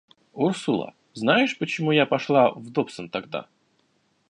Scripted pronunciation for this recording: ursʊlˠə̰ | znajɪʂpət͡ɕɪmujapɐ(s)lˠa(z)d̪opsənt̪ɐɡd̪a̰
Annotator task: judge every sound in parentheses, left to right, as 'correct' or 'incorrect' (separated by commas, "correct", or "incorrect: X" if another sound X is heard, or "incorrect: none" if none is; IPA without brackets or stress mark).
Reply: incorrect: ʂ, incorrect: v